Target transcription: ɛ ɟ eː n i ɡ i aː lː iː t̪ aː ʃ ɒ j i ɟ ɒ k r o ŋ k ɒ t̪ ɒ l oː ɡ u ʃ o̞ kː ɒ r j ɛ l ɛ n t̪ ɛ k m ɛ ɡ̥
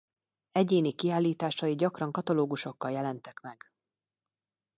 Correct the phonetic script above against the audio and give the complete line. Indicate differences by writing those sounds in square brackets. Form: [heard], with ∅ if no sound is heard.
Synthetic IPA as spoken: ɛ ɟ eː n i [k] i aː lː iː t̪ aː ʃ ɒ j i ɟ ɒ k r [ɒ] ŋ k ɒ t̪ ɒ l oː ɡ u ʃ o̞ kː ɒ [l] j ɛ l ɛ n t̪ ɛ k m ɛ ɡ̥

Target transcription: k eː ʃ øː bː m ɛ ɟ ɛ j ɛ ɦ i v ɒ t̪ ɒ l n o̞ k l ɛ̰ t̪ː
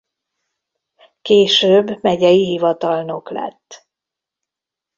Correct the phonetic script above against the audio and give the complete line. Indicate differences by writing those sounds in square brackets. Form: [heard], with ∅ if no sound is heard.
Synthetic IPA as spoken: k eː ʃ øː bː m ɛ ɟ ɛ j [i] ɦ i v ɒ t̪ ɒ l n o̞ k l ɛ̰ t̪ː

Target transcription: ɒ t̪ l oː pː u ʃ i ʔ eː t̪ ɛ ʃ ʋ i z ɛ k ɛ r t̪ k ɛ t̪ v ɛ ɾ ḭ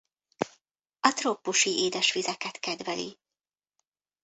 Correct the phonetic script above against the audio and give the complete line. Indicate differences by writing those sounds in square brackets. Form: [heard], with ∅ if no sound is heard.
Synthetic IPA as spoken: ɒ t̪ [r] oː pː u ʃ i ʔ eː [d̪] ɛ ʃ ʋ i z ɛ k ɛ [∅] t̪ k ɛ [d̪] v ɛ [l] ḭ

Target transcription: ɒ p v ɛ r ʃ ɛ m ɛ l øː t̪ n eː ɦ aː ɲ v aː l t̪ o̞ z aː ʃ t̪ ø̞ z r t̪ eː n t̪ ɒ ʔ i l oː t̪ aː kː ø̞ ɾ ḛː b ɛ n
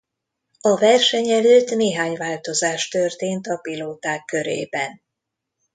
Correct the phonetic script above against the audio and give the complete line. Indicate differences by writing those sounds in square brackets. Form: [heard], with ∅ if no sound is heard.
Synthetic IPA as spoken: ɒ [∅] v ɛ r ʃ ɛ [ɲ] ɛ l øː t̪ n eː ɦ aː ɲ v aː l t̪ o̞ z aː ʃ t̪ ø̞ [∅] r t̪ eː n t̪ ɒ [p] i l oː t̪ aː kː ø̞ ɾ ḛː b ɛ n

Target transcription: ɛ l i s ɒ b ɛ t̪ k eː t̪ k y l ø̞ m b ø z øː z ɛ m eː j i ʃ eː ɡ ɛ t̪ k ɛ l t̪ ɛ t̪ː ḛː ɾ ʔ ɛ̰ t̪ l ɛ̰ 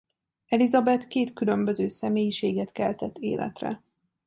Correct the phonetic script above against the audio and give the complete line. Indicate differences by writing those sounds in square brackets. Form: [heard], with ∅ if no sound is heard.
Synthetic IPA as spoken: ɛ l i [z] ɒ b ɛ t̪ k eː t̪ k y l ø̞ m b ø z øː [s] ɛ m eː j i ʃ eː ɡ ɛ t̪ k ɛ l t̪ ɛ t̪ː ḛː [l] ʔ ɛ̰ t̪ [r] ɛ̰

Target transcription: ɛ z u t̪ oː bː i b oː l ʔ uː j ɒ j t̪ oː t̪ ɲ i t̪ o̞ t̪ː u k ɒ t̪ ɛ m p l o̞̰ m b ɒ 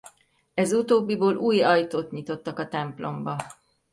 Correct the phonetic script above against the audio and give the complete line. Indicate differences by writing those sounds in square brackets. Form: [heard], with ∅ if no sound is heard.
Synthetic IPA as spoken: ɛ z u t̪ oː bː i b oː l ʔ uː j ɒ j t̪ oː t̪ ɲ i t̪ o̞ t̪ː [ɒ] k ɒ t̪ ɛ m p l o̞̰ m b ɒ

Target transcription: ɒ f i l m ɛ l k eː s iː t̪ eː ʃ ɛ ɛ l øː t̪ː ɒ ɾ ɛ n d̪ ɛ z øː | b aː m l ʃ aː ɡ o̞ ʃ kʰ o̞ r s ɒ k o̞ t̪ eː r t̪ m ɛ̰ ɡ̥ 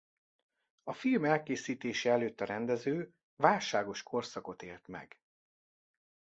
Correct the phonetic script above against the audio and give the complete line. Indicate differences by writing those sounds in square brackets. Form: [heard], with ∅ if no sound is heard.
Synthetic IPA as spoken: ɒ f i l m ɛ l k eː s iː t̪ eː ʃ ɛ ɛ l øː t̪ː ɒ ɾ ɛ n d̪ ɛ z øː | [v] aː [∅] l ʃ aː ɡ o̞ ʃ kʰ o̞ r s ɒ k o̞ t̪ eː [l] t̪ m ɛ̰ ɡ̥

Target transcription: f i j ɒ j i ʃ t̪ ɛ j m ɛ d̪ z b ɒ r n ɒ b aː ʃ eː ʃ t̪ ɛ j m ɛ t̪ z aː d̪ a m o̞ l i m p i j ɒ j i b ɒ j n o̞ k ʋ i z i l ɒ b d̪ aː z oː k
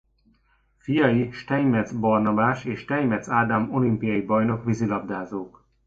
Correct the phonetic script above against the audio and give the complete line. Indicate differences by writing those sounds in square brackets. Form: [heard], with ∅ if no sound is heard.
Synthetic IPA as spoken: f i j ɒ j i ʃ t̪ ɛ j m ɛ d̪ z b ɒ r n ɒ b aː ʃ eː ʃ t̪ ɛ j m ɛ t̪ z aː d̪ a m o̞ l i m p i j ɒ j i b ɒ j n o̞ k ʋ i z i l ɒ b d̪ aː z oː k

